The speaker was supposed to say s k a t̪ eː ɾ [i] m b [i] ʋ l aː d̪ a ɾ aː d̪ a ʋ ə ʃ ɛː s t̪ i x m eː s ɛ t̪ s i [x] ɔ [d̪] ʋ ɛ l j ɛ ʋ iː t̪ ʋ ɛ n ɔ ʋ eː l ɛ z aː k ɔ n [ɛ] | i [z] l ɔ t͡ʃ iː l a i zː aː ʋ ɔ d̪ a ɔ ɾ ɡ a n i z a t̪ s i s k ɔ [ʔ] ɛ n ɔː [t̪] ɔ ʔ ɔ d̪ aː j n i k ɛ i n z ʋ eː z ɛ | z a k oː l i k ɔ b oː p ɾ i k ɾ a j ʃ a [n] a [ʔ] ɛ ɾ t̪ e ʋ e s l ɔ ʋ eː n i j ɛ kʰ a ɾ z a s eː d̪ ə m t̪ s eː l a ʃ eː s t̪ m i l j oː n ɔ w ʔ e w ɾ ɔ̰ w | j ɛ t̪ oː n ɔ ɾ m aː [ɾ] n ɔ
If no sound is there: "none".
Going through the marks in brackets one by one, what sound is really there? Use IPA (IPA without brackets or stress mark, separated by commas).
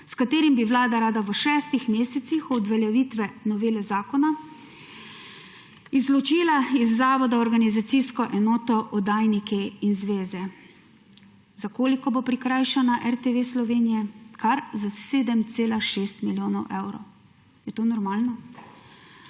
i, i, x, d̪, a, z, ʔ, t̪, n, ʔ, l